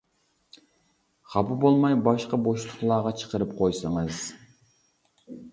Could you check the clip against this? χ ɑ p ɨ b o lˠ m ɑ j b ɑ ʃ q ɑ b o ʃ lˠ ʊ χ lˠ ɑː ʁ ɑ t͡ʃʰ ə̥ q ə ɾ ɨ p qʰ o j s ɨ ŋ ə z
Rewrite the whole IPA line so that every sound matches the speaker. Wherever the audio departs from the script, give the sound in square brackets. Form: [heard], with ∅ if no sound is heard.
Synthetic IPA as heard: χ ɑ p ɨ b o lˠ m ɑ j b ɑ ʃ q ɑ b o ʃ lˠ ʊ χ lˠ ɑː ʁ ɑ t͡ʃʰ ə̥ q ə ɾ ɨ p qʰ o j s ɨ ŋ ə z